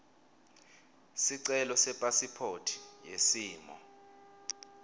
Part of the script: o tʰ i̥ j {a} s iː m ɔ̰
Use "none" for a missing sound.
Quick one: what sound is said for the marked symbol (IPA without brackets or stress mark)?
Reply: e